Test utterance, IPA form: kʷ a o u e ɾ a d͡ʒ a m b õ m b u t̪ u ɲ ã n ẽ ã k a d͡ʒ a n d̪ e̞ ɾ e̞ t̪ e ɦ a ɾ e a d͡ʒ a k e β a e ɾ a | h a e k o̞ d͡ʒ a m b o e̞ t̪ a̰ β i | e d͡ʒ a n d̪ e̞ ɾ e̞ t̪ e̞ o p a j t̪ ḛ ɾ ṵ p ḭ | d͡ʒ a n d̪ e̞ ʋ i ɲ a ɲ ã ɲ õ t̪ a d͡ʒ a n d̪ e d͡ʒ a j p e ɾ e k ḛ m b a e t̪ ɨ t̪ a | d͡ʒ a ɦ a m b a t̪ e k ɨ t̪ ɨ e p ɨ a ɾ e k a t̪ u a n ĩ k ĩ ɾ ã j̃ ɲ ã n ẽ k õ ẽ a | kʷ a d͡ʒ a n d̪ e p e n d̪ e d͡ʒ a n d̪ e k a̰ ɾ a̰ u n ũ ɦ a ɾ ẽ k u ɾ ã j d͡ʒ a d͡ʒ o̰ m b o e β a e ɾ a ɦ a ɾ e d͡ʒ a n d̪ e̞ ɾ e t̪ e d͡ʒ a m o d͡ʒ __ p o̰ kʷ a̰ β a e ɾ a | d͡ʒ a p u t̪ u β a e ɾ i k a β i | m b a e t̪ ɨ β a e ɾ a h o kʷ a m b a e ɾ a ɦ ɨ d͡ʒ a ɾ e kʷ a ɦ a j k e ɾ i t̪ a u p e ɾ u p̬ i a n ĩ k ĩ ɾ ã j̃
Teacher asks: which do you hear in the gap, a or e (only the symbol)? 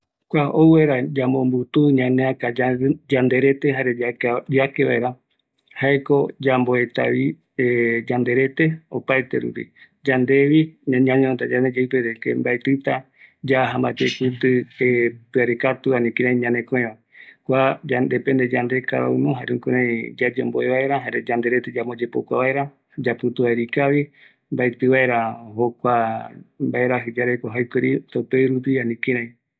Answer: e